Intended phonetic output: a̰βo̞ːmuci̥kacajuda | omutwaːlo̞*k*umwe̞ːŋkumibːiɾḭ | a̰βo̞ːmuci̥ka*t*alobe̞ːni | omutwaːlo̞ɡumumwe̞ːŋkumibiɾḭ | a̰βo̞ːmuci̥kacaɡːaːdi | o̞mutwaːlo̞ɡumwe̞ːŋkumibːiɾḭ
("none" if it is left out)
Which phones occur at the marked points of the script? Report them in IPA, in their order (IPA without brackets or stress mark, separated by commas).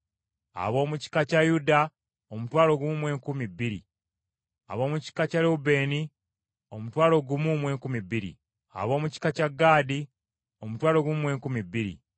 ɡ, c